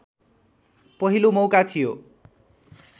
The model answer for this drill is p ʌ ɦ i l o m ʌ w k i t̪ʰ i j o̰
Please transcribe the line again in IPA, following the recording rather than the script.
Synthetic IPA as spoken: p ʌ ɦ i l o m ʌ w k a t̪ʰ i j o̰